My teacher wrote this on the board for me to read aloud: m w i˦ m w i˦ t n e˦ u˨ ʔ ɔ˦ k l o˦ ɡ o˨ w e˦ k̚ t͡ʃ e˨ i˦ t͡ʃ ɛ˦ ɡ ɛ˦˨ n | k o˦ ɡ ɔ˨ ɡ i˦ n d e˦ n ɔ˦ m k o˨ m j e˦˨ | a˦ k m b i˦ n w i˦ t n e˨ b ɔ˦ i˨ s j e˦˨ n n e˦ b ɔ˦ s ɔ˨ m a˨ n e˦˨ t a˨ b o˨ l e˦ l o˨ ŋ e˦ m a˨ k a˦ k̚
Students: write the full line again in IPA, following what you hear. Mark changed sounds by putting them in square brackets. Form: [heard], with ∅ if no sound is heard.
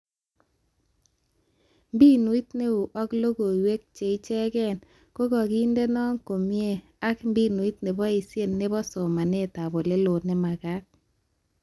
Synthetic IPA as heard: m [b] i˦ [n] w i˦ t n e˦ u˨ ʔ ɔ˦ k l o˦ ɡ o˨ w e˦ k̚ t͡ʃ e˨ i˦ t͡ʃ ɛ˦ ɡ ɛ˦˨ n | k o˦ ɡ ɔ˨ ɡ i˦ n d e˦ n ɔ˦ [ŋ] k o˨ m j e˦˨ | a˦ k m b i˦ n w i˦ t n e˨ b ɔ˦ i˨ s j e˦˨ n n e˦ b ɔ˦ s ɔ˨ m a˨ n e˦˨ t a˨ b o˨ l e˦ l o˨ [n] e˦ m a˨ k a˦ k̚